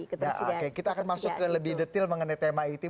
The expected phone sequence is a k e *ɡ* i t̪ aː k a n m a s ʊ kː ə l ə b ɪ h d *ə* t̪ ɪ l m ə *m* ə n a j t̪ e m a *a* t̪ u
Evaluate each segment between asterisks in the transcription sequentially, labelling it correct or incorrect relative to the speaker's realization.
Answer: incorrect, correct, incorrect, incorrect

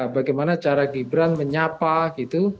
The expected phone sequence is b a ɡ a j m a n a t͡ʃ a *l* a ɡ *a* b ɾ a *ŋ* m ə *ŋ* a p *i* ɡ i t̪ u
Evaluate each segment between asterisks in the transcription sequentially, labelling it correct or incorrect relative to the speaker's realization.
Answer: incorrect, incorrect, incorrect, incorrect, incorrect

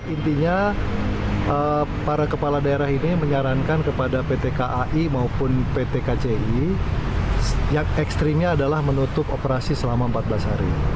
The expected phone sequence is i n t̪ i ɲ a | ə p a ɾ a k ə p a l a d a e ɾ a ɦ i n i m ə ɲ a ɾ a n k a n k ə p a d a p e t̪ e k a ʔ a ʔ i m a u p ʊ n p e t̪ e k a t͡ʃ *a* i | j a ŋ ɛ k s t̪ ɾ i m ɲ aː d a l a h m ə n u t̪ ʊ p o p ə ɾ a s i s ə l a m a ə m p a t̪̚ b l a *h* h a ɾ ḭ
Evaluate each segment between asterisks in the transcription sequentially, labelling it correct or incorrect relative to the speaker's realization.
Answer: incorrect, incorrect

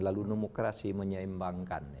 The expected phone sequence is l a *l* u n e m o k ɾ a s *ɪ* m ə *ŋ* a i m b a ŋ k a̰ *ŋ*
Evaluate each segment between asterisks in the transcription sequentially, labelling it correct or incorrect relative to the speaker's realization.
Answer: correct, incorrect, incorrect, incorrect

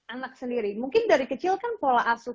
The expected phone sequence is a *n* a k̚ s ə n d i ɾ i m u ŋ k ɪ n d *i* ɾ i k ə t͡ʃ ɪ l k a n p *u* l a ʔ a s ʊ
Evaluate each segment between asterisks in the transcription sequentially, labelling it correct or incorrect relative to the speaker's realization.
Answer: correct, incorrect, incorrect

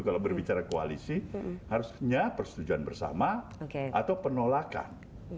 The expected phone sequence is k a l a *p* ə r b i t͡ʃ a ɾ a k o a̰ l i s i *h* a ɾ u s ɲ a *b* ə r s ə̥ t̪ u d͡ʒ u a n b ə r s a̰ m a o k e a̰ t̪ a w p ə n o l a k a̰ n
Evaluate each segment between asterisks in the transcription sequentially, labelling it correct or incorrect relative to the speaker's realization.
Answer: incorrect, correct, incorrect

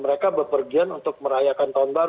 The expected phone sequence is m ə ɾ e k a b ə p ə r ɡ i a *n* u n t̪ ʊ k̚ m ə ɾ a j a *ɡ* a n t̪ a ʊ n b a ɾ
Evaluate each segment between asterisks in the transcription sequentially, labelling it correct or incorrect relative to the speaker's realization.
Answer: correct, incorrect

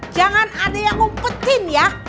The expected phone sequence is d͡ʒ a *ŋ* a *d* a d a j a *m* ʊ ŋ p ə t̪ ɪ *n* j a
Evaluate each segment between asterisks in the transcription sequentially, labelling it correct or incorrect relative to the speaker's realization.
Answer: correct, incorrect, incorrect, correct

